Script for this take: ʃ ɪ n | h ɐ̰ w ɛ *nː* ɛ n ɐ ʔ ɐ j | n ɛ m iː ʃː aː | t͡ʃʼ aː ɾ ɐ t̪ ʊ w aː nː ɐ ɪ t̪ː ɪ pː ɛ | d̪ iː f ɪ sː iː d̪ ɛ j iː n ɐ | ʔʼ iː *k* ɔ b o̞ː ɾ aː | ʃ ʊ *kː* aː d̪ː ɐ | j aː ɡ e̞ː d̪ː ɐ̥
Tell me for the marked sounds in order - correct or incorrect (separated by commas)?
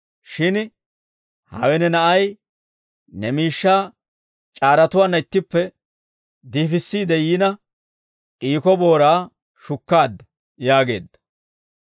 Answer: incorrect, correct, correct